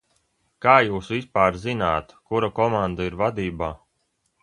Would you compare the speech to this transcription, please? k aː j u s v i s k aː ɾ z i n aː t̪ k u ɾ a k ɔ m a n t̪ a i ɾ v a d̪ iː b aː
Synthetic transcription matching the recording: k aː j uː s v i s p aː ɾ z i n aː t̪ k u ɾ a k ɔ m a n d̪ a i ɾ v a d̪ iː b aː